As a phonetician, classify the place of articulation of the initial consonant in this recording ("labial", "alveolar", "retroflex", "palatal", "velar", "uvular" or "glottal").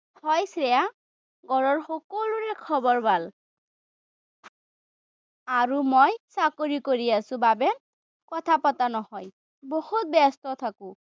glottal